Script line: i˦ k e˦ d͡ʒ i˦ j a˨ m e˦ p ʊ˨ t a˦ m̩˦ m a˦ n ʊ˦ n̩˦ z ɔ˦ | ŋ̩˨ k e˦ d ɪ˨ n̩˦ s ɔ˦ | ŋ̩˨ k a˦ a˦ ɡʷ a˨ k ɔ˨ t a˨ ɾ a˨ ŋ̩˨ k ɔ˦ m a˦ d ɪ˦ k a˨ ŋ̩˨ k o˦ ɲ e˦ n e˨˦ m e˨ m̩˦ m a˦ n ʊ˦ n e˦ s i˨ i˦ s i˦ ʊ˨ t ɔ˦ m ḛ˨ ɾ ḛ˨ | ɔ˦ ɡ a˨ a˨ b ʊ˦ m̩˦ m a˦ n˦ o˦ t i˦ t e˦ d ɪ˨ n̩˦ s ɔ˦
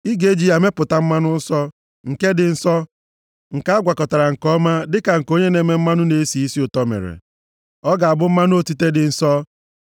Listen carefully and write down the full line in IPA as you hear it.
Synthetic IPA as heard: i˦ ɡ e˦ d͡ʒ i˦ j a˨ m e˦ p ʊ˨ t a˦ m̩˦ m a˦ n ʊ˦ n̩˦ s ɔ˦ | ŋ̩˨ k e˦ d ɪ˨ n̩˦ s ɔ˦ | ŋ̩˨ k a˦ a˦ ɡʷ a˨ k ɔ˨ t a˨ ɾ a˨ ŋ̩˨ k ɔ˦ m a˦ d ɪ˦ k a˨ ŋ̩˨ k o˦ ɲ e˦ n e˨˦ m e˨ m̩˦ m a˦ n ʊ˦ n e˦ s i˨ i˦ s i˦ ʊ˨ t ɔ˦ m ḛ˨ ɾ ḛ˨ | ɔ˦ ɡ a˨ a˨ b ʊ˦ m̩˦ m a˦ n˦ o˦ t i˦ t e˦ d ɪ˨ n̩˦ s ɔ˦